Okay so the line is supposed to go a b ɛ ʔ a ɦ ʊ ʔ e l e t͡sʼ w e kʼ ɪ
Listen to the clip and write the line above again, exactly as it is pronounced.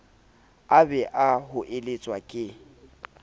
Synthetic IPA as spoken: a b ɛ ʔ a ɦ ʊ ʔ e l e t͡sʼ w a kʼ ɪ